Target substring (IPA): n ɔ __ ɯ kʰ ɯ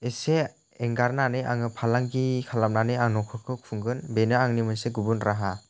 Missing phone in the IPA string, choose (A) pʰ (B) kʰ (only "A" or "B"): B